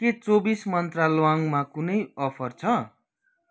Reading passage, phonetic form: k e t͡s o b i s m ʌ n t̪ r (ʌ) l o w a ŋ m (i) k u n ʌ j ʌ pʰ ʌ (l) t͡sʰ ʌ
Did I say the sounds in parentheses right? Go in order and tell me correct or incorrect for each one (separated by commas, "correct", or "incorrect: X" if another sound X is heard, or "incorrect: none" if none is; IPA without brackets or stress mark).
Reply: incorrect: a, incorrect: a, incorrect: r